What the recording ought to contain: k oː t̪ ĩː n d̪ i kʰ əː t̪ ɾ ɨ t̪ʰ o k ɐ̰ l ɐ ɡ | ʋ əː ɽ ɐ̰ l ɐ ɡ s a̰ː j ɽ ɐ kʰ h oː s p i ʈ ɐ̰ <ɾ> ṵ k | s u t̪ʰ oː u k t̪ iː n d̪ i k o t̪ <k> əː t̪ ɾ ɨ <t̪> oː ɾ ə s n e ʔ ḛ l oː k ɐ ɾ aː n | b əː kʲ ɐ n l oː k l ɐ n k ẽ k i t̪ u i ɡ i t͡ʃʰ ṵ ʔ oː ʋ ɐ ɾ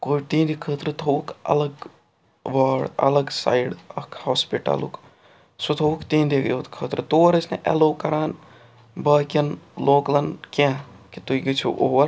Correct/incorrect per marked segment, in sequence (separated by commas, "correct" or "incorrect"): incorrect, incorrect, correct